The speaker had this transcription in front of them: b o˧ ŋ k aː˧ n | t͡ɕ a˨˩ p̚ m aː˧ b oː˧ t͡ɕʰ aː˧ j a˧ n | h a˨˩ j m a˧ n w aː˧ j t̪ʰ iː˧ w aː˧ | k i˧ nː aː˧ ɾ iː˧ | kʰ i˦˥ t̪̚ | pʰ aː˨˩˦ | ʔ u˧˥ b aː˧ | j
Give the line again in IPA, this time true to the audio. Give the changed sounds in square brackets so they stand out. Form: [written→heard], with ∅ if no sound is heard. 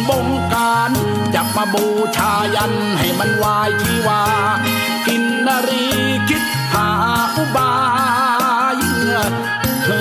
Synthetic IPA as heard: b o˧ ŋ k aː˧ n | t͡ɕ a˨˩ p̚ m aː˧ b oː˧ t͡ɕʰ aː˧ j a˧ n | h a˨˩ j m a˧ n w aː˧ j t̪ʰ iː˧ w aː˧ | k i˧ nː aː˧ ɾ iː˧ | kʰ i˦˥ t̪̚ | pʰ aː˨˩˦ | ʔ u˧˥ b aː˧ | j